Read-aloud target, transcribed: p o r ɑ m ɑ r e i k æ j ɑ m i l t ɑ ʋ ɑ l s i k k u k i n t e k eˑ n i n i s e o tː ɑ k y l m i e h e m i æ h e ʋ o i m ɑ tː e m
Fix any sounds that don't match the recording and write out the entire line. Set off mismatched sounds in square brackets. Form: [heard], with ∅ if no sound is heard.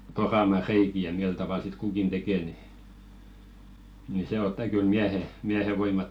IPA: p o r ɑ m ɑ r e i k [i] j ɑ m i l t ɑ ʋ ɑ l s i [t] k u k i n t e k eˑ n i n i s e o tː ɑ k y l m i [æ] h e m i æ h e ʋ o i m ɑ tː e m